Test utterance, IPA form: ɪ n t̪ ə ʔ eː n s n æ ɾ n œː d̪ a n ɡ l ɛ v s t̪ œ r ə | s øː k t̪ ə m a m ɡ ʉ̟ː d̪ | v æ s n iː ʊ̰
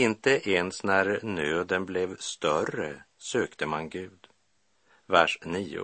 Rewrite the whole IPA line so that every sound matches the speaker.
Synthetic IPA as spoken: ɪ n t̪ ə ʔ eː n s n æ ɾ n øː d̪ ə n b l ɛ v s t̪ œ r ə | s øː k t̪ ə m a n ɡ ʉ̟ː d̪ | v æ ʂ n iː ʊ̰